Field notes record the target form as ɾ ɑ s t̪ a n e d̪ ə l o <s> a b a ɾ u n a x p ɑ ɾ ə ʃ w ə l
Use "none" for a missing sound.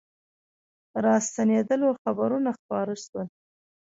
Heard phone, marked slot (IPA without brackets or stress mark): x